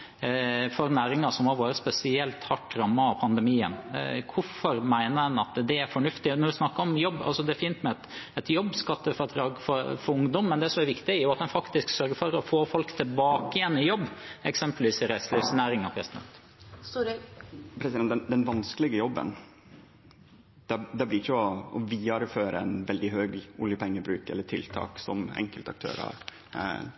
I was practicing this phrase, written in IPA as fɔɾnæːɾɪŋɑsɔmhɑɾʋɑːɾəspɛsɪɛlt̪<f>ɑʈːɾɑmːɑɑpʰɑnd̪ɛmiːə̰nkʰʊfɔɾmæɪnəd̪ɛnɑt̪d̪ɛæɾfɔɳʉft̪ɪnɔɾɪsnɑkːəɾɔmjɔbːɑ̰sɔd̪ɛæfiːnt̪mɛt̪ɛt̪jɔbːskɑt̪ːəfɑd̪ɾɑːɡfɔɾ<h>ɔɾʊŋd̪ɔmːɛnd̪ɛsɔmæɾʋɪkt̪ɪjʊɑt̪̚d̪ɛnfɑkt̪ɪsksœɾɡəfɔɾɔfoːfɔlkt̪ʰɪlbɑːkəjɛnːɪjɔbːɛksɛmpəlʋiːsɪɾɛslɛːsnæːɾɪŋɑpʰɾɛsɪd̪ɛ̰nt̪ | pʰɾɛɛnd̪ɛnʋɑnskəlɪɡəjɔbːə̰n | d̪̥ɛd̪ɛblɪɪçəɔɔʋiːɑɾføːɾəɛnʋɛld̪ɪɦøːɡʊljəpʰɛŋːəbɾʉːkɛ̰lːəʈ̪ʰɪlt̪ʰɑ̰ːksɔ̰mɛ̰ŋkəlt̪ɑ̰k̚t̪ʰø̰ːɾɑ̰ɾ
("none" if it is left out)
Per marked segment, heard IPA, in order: h, f

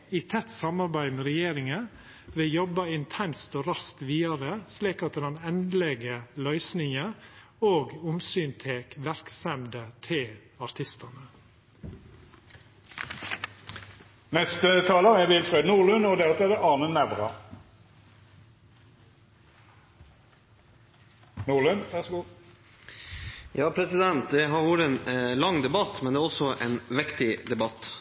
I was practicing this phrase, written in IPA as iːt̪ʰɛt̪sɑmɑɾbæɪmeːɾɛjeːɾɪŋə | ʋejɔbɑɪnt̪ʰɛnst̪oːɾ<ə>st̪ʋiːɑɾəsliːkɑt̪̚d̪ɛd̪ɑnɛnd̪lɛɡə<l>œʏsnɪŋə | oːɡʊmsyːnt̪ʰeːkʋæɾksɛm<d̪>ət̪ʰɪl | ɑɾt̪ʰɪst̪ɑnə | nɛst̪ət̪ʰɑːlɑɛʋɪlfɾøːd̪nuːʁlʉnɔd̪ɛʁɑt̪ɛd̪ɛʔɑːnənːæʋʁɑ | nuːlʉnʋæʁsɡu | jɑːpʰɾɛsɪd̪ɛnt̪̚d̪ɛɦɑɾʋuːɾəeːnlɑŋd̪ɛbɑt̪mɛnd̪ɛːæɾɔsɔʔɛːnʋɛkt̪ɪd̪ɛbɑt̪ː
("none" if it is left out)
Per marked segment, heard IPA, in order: ɑ, l, d̪

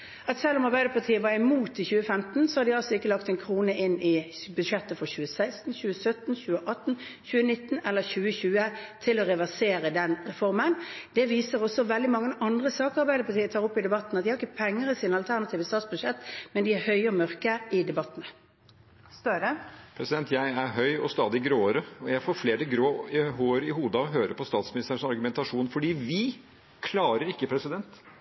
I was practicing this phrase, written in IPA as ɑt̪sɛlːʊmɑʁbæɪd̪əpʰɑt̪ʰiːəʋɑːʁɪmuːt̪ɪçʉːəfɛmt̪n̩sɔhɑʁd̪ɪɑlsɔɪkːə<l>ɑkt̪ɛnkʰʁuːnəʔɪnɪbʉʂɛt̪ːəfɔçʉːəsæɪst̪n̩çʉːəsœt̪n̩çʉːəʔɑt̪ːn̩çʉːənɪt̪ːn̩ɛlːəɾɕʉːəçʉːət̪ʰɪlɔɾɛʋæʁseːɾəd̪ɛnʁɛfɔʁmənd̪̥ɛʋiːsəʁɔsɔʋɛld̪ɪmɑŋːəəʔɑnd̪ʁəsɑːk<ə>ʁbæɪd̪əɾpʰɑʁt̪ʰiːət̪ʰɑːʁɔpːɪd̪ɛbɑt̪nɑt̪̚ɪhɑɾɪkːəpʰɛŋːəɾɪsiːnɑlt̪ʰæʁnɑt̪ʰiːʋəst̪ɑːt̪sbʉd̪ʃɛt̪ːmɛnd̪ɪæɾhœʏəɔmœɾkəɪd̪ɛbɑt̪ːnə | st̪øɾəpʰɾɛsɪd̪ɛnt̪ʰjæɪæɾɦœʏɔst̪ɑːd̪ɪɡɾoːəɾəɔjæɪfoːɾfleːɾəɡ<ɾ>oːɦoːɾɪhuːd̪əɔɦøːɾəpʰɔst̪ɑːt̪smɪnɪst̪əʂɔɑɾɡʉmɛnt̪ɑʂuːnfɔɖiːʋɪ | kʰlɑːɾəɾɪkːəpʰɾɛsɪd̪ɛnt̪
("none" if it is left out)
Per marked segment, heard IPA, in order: l, ɑ, ɾ

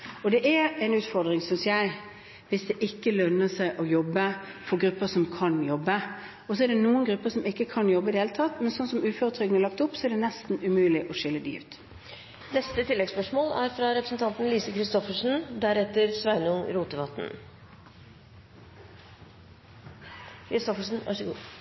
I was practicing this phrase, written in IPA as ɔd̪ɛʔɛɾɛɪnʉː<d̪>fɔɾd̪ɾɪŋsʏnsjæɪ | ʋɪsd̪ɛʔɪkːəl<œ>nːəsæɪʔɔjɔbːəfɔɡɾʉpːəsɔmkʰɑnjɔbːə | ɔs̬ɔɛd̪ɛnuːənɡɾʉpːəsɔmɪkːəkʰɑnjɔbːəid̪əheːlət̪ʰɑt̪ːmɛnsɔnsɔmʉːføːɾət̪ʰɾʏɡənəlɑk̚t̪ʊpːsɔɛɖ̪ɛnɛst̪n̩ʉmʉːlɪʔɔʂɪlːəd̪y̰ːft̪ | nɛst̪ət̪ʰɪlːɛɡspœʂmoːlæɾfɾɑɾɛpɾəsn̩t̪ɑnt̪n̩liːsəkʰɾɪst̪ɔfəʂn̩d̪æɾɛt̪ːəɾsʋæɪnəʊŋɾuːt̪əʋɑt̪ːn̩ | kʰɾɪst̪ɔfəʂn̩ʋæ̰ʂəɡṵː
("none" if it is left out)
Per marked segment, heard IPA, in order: t̪, œ

